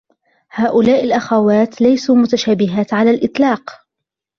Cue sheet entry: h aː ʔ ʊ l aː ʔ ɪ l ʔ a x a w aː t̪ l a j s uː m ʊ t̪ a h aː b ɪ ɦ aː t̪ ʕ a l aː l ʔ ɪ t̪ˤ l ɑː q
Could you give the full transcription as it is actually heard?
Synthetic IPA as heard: h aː ʔ ʊ l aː ʔ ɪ l ʔ a x a w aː t̪ l a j s uː m ʊ t̪ a ʃ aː b ɪ ɦ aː t̪ ʕ a l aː l ʔ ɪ t̪ˤ l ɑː q